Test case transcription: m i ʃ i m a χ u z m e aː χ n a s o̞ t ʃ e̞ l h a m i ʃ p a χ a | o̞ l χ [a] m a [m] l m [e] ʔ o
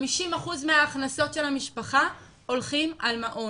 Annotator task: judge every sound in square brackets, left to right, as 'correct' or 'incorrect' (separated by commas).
incorrect, incorrect, incorrect